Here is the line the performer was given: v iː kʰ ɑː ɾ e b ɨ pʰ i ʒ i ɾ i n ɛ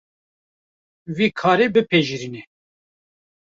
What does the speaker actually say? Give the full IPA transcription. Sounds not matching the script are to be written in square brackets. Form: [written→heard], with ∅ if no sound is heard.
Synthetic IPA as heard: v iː kʰ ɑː ɾ e b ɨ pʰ [i→e] ʒ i ɾ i n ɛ